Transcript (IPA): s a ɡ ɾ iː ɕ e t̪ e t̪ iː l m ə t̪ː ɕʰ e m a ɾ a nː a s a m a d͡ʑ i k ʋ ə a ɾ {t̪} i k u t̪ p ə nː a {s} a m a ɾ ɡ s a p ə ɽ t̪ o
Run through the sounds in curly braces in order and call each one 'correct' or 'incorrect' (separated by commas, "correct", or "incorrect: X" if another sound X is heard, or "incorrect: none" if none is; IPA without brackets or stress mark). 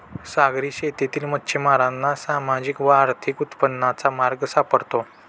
incorrect: t̪ʰ, incorrect: t͡s